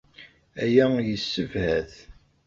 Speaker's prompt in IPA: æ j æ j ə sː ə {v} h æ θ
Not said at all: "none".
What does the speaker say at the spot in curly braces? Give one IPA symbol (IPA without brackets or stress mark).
v